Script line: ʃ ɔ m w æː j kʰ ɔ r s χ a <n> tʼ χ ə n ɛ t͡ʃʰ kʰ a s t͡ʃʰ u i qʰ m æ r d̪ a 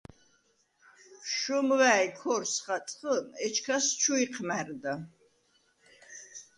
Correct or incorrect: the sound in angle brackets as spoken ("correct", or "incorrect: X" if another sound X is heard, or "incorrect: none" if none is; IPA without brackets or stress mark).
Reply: incorrect: none